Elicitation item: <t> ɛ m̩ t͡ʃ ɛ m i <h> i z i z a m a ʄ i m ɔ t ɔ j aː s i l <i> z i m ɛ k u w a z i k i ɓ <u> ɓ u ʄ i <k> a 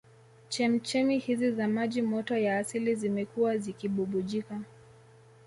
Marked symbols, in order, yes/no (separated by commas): no, yes, yes, yes, yes